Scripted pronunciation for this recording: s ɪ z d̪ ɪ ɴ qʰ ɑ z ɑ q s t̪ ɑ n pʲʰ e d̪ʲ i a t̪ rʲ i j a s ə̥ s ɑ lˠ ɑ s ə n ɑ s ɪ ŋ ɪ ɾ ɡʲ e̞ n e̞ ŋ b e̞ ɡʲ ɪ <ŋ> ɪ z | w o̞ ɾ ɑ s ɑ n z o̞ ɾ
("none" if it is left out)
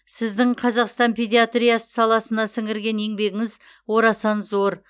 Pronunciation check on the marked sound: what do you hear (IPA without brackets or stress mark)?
ŋ